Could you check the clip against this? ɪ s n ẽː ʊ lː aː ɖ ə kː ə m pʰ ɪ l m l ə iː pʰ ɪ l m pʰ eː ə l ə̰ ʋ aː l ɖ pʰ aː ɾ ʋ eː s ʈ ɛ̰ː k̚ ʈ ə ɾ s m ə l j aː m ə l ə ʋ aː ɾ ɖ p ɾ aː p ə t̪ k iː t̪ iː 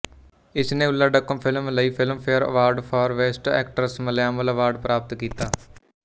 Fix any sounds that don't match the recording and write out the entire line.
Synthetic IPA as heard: ɪ s n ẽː ʊ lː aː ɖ ə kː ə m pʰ ɪ l m l ə iː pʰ ɪ l m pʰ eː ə ɾ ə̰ ʋ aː ɾ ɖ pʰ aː ɾ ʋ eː s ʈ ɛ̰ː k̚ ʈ ə ɾ s m ə l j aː m ə l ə ʋ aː ɾ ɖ p ɾ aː p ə t̪ k iː t̪ aː